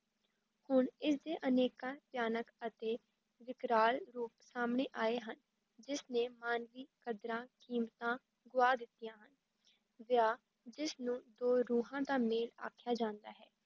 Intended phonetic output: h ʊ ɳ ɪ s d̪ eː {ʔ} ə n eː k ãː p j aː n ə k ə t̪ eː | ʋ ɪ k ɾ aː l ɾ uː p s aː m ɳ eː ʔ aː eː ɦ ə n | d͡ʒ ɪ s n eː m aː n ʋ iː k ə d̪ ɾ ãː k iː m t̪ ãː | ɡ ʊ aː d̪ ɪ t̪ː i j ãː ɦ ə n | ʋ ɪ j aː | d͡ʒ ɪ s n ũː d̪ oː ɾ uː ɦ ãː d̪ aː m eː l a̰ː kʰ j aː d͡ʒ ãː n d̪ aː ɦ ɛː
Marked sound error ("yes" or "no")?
no